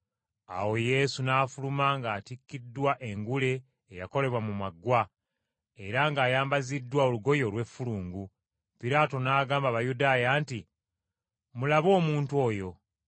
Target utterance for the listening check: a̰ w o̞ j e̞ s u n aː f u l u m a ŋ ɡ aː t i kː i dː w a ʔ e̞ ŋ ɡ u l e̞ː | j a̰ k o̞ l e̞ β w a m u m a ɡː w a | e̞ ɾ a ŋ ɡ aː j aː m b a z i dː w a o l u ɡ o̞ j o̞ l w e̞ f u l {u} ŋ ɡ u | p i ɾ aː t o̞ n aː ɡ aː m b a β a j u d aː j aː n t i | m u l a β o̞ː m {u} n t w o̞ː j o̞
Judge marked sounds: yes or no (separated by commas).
no, no